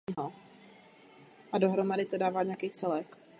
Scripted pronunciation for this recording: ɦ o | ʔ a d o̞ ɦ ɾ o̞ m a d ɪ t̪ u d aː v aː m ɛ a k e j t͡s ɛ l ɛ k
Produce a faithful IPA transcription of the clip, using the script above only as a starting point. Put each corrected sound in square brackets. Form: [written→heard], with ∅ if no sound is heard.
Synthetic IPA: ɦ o | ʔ a d o̞ ɦ ɾ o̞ m a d ɪ t̪ [u→o] d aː v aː [m→ɲ] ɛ a k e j t͡s ɛ l ɛ k